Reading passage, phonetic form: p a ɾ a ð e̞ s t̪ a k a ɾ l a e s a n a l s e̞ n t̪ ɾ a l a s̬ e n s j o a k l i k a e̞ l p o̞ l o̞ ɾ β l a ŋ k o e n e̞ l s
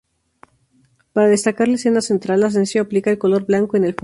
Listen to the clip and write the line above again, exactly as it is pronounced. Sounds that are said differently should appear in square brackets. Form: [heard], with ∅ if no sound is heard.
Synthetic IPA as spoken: p a ɾ a ð e̞ s t̪ a k a ɾ l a e s [e] n a [∅] s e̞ n t̪ ɾ a l a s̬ e n s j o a [p] l i k a e̞ l [k] o̞ l o̞ ɾ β l a ŋ k o e n e̞ l [f]